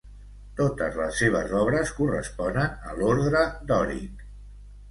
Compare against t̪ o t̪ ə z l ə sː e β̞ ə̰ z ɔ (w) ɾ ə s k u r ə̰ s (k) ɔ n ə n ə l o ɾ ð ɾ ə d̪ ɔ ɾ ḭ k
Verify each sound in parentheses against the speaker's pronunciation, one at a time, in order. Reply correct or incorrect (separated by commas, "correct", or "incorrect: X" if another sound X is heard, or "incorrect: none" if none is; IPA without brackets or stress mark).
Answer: incorrect: β, incorrect: p